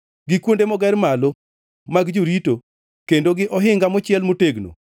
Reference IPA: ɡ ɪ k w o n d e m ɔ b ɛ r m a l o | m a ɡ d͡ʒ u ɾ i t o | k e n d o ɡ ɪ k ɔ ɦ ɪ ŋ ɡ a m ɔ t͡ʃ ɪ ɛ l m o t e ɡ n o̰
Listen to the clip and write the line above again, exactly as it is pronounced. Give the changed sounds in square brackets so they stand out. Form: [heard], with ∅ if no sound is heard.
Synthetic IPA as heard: ɡ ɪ k w o n d e m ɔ [ɡ] ɛ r m a l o | m a ɡ d͡ʒ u ɾ i t o | k e n d o ɡ ɪ [ʔ] ɔ ɦ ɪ ŋ ɡ a m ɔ t͡ʃ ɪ ɛ l m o t e ɡ n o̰